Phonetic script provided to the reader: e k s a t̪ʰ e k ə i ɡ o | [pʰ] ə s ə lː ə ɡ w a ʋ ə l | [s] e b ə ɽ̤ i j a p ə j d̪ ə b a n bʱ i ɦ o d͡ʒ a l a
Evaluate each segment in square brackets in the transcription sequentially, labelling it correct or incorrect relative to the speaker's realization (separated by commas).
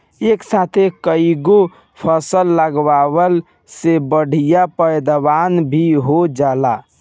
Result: correct, correct